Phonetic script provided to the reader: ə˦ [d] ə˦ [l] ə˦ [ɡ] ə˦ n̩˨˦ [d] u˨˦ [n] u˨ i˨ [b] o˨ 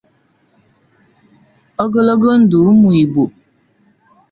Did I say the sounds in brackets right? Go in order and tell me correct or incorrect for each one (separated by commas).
incorrect, correct, correct, correct, incorrect, correct